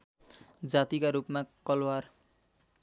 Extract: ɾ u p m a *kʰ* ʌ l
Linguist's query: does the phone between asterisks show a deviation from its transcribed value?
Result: yes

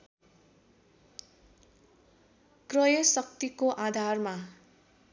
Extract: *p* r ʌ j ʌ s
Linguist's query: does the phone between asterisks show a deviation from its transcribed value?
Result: yes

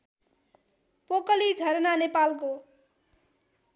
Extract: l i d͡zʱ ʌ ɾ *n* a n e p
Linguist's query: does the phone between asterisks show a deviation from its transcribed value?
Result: no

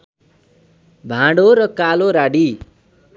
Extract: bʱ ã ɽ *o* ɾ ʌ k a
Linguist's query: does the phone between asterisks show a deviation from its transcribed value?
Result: no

